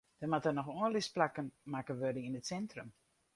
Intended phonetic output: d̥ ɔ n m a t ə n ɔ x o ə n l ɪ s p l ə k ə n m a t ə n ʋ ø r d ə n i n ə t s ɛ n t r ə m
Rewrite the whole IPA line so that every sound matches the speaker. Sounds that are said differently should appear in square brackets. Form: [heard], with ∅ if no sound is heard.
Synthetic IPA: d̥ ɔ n m a t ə n ɔ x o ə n l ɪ s p l [a] k ə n m a [k] ə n ʋ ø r d ə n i n ə t s ɛ n t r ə m